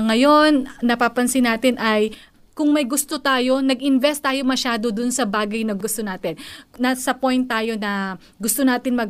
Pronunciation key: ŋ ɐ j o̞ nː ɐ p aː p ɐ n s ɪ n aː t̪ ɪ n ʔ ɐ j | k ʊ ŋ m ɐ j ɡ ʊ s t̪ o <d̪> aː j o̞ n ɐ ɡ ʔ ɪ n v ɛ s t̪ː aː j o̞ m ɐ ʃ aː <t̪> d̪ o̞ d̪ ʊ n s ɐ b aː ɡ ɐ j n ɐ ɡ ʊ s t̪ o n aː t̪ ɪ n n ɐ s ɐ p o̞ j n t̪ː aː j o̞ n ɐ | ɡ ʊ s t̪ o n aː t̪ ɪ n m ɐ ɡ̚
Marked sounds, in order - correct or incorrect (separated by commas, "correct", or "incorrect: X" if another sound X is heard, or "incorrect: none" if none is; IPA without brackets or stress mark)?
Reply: incorrect: t̪, incorrect: none